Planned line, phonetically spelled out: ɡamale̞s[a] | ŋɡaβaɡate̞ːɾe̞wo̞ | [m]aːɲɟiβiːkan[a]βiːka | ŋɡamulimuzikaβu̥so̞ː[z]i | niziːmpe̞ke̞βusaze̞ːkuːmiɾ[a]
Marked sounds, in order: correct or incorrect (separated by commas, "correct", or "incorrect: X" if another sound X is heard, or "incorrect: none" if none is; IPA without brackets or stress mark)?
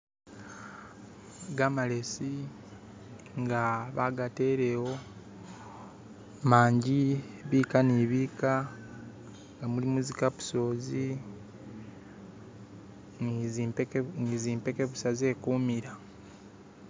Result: incorrect: i, correct, incorrect: i, correct, correct